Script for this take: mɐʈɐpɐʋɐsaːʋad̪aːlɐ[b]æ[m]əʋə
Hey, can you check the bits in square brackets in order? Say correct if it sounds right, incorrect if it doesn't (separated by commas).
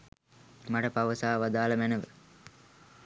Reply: incorrect, incorrect